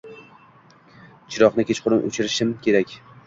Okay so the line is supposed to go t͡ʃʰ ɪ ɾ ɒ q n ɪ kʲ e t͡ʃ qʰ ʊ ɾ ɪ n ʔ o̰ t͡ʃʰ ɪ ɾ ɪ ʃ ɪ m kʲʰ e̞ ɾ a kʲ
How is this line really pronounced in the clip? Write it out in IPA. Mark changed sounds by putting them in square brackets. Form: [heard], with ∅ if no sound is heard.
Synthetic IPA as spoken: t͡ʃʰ ɪ ɾ ɒ q n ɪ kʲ e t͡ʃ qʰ ʊ ɾ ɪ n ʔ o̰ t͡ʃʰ ɪ ɾ ɪ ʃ ɪ m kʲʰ e̞ ɾ a kʲ